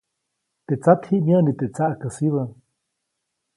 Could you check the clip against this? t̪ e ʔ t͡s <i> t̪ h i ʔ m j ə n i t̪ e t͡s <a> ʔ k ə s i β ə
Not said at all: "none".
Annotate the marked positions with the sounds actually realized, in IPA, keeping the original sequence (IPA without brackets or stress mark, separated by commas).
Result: a, a